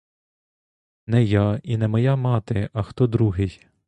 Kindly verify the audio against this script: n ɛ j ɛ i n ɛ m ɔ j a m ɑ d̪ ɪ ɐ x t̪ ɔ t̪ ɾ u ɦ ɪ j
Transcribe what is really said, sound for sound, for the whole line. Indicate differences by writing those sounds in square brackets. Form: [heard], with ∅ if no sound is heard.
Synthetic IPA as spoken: n ɛ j [a] i n ɛ m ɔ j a m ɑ [t̪] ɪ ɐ x t̪ ɔ [d̪] ɾ u ɦ ɪ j

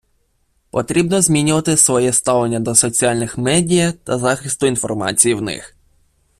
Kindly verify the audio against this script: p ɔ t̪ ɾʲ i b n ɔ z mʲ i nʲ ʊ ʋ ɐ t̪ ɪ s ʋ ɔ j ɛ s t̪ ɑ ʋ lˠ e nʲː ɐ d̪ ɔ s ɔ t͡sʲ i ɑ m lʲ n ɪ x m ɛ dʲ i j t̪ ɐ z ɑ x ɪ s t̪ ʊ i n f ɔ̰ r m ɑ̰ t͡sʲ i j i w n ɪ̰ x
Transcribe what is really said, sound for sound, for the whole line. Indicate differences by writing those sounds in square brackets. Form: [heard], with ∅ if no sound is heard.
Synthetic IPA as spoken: p ɔ t̪ ɾʲ i b n ɔ z mʲ i nʲ ʊ ʋ ɐ t̪ ɪ s ʋ ɔ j ɛ s t̪ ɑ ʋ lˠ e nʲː ɐ d̪ ɔ s ɔ t͡sʲ i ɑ [∅] lʲ n ɪ x m ɛ dʲ i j t̪ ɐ z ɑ x ɪ s t̪ ʊ i n f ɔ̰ r m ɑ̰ t͡sʲ i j i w n ɪ̰ x

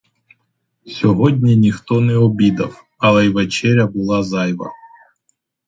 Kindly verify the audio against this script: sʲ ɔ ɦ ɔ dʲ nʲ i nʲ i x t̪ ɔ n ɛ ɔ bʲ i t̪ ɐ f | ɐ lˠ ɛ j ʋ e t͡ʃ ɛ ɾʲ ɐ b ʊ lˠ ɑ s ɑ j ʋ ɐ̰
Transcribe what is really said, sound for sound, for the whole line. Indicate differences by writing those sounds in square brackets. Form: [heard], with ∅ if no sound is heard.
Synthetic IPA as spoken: sʲ ɔ ɦ ɔ dʲ nʲ i nʲ i x t̪ ɔ n ɛ ɔ bʲ i [d̪] ɐ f | ɐ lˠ ɛ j ʋ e t͡ʃ ɛ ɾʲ ɐ b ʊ lˠ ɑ [z] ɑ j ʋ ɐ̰

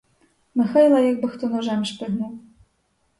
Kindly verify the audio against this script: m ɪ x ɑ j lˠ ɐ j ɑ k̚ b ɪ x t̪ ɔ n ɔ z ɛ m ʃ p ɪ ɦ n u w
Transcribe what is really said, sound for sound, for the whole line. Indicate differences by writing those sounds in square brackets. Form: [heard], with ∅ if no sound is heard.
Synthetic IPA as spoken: m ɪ x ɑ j lˠ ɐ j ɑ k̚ b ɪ x t̪ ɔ n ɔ [ʒ] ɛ m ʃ p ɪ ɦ n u w

